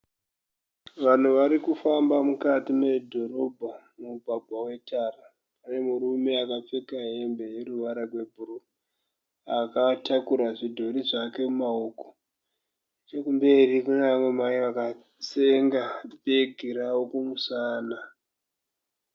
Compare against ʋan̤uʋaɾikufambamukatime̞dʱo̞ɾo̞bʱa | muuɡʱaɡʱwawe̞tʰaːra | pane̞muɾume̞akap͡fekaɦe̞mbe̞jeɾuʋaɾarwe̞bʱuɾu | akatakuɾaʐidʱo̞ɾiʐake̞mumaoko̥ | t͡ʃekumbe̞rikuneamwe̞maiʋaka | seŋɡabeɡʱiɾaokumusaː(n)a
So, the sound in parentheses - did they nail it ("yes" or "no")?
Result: yes